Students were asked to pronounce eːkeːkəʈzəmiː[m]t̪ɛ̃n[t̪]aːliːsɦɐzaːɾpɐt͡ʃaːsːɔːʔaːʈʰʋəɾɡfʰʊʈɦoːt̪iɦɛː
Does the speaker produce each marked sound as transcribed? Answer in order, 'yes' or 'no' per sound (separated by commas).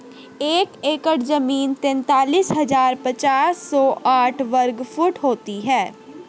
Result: no, yes